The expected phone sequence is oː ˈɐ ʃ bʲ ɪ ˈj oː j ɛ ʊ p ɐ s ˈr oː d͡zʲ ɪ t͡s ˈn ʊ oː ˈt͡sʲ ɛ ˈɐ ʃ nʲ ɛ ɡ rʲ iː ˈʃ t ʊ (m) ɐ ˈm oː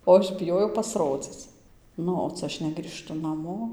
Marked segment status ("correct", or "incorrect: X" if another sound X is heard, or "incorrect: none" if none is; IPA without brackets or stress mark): incorrect: n